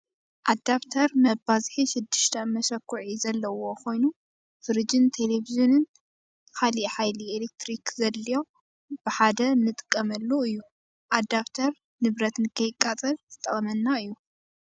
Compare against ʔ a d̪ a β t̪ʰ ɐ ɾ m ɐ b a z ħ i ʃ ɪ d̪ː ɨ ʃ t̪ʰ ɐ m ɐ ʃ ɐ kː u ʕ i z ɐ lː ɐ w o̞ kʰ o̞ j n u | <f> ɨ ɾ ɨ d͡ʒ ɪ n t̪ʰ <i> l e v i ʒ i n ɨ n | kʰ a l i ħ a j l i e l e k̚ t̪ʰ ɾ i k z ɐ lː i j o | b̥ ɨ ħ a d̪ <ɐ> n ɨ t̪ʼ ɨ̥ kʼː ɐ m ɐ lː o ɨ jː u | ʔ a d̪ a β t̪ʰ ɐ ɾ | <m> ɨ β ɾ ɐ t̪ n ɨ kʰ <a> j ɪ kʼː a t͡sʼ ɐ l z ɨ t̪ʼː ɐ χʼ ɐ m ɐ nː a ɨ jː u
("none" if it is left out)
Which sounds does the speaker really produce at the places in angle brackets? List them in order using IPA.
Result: f, e, ɐ, n, ɐ

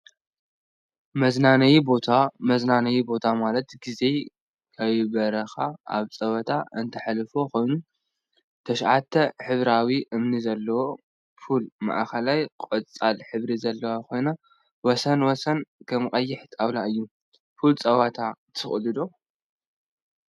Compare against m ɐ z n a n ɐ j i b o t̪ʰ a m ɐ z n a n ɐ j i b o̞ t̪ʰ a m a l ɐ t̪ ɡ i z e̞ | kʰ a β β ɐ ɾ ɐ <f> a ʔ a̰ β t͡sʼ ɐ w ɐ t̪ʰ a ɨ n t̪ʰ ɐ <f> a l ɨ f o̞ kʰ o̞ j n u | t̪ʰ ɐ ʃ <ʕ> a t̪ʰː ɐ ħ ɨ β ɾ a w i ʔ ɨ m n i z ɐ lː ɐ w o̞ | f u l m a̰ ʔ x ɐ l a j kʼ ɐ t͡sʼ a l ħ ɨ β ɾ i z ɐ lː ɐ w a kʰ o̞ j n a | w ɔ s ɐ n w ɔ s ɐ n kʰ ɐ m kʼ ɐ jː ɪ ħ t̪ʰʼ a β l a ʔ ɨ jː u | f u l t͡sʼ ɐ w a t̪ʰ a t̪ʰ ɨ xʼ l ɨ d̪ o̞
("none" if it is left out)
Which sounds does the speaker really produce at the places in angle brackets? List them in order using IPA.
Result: x, ħ, ʕ

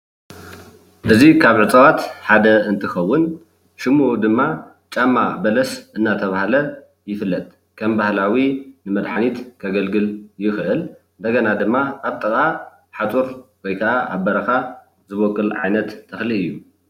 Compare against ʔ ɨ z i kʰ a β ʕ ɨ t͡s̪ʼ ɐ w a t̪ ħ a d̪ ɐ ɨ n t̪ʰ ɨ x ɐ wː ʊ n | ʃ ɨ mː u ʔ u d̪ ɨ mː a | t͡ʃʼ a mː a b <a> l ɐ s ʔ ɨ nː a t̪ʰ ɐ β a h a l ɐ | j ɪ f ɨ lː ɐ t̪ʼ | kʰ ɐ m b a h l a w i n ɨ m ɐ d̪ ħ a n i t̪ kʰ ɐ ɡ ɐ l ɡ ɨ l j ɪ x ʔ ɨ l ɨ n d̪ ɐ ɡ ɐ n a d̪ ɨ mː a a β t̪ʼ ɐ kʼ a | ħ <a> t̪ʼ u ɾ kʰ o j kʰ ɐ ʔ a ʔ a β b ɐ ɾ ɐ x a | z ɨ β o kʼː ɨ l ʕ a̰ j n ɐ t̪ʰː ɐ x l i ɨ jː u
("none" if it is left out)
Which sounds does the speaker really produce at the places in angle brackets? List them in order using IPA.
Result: ɐ, a

